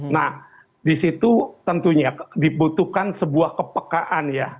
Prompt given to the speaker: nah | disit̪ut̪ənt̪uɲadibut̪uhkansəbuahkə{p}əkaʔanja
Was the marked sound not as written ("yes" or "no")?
no